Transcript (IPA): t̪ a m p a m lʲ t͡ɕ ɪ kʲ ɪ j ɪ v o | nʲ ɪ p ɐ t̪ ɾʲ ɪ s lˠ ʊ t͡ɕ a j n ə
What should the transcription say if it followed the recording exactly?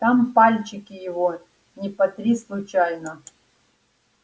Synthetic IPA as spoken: t̪ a m p a lʲ t͡ɕ ɪ kʲ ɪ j ɪ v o | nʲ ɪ p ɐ t̪ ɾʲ i s lˠ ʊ t͡ɕ a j n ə